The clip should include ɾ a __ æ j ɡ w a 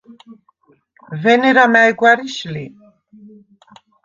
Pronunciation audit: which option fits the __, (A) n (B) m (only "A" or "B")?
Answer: B